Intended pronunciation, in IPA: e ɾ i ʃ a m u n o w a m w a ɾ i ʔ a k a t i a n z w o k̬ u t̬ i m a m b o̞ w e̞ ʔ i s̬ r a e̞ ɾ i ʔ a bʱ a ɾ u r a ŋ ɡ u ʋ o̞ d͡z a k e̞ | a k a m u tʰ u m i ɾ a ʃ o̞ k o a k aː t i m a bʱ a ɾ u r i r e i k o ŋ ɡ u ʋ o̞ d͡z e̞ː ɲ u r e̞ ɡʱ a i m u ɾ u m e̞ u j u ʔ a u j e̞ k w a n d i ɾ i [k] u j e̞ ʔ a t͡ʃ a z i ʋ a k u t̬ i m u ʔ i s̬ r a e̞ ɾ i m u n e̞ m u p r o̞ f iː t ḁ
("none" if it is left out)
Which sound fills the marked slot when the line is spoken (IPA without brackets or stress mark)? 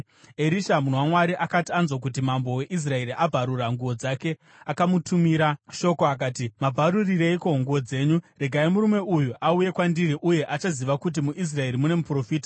ʔ